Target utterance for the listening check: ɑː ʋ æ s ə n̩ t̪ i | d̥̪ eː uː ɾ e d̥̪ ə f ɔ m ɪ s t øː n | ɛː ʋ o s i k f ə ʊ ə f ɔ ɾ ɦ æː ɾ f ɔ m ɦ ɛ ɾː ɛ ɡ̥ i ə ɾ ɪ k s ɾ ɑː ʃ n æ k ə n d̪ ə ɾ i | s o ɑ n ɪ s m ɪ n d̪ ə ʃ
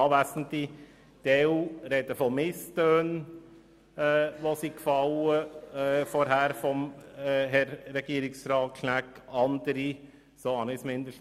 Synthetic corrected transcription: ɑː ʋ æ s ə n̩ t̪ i | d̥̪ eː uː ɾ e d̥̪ ə f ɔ m ɪ s t øː n | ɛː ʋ o s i k f ɑ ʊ ə f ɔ ɾ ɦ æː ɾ f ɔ m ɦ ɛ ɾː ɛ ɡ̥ i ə ɾ ɪ k s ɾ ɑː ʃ n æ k ɑ n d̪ ə ɾ i | s o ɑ n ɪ s m ɪ n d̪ ə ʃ